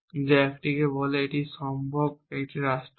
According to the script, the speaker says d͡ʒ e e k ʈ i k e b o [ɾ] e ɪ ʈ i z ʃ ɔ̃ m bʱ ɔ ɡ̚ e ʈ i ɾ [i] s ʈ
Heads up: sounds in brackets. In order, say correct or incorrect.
incorrect: l, incorrect: a

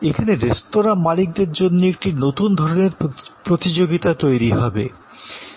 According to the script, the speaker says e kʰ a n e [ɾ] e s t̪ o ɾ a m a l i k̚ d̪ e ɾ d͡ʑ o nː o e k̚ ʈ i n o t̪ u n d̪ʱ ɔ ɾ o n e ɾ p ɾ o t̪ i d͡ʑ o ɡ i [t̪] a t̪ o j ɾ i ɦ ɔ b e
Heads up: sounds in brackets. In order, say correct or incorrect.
correct, correct

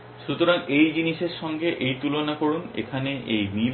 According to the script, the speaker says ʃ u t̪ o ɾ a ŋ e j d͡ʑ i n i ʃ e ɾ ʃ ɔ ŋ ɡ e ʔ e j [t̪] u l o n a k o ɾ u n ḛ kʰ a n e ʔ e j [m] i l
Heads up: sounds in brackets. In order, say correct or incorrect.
correct, correct

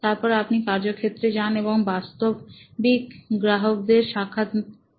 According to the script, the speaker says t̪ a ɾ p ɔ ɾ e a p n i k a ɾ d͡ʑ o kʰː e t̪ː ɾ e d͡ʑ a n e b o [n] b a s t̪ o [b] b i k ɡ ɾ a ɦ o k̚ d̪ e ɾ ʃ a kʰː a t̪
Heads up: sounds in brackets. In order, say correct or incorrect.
incorrect: ŋ, correct

